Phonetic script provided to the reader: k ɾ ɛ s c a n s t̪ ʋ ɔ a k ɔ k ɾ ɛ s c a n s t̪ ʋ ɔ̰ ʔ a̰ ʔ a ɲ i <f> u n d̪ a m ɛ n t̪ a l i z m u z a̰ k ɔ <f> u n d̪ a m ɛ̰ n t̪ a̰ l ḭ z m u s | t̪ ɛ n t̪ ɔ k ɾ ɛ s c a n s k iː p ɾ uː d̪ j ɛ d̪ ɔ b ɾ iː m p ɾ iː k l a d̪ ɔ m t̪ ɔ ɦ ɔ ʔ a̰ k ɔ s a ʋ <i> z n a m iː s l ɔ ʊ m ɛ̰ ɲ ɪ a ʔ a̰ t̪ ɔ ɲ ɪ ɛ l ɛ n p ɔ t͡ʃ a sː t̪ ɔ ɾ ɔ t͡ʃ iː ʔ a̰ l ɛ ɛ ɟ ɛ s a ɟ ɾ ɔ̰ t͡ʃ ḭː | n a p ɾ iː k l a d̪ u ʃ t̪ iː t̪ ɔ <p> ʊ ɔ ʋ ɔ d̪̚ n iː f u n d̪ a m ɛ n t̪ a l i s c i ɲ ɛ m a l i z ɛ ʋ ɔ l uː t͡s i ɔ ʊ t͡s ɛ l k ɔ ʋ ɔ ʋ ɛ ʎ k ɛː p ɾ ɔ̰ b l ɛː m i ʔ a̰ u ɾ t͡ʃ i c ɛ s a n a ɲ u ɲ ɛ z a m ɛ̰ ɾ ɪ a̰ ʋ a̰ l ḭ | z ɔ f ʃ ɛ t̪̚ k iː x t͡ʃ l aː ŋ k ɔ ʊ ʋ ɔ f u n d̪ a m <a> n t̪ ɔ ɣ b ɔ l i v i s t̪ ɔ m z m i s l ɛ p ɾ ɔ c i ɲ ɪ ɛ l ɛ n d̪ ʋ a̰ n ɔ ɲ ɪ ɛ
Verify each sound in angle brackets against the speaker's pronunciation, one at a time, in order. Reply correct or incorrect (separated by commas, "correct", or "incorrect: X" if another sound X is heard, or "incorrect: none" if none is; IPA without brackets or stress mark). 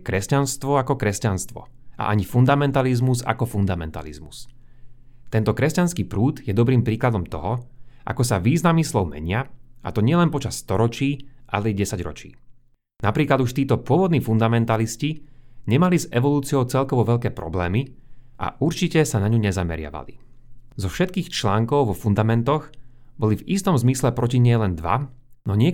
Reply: correct, correct, incorrect: iː, correct, incorrect: ɛ